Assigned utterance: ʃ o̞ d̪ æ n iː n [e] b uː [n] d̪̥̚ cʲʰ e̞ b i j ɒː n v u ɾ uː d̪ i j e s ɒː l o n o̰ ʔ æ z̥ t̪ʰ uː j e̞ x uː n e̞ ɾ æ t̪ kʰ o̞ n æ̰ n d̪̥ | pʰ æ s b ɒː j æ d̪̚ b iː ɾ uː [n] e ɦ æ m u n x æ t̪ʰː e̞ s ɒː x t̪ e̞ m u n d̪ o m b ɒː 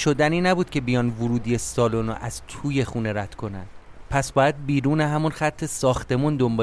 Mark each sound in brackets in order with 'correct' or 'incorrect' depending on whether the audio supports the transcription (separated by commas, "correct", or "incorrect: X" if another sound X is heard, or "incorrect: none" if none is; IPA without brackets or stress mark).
incorrect: æ, incorrect: none, correct